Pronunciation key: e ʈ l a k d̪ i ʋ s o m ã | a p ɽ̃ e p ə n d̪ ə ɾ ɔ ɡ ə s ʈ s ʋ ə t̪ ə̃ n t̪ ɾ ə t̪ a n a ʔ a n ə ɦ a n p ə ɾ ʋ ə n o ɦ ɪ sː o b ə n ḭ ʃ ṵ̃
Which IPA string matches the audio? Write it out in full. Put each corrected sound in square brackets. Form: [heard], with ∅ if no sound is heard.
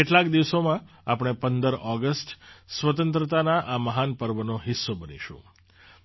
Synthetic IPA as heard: e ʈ l a k d̪ i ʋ s o m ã | a p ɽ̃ e p ə n d̪ ə ɾ ɔ ɡ ə s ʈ s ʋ ə t̪ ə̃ n t̪ ɾ ə t̪ a n a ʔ a [m] ə ɦ a n p ə ɾ ʋ ə n o ɦ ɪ sː o b ə n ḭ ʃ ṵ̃